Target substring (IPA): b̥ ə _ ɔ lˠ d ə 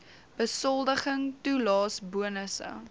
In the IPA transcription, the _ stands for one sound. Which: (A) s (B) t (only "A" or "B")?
A